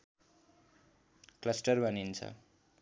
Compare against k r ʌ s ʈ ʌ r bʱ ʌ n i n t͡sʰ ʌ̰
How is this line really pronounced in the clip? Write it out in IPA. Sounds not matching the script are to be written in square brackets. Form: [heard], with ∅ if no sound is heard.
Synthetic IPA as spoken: k [l] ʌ s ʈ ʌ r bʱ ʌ n i n t͡sʰ ʌ̰